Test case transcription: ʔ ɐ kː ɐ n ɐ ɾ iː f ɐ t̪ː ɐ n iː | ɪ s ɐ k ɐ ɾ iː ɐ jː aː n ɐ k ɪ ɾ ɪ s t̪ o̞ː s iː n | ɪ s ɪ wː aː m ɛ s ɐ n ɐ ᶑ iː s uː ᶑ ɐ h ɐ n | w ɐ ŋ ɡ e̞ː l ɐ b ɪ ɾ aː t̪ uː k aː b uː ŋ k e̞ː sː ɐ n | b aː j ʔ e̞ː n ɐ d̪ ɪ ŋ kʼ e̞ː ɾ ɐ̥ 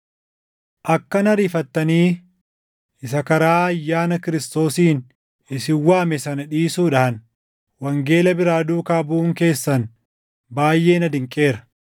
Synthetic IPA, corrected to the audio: ʔ ɐ kː ɐ n ɐ ɾ iː f ɐ t̪ː ɐ n iː | ɪ s ɐ k ɐ ɾ aː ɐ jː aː n ɐ k ɪ ɾ ɪ s t̪ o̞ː s iː n | ɪ s ɪ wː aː m ɛ s ɐ n ɐ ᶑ iː s uː ᶑ ɐ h ɐ n | w ɐ ŋ ɡ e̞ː l ɐ b ɪ ɾ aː d̪ uː k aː b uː ŋ k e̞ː sː ɐ n | b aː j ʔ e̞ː n ɐ d̪ ɪ ŋ kʼ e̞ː ɾ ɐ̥